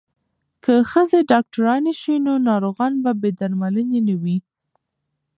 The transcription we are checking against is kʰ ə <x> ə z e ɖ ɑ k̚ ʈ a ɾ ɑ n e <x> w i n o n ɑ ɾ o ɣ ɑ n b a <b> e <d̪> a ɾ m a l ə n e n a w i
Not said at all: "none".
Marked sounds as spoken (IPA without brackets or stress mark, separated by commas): x, ʃ, b, d̪